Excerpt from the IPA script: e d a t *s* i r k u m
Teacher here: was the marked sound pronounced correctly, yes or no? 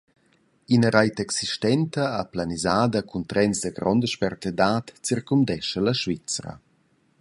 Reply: no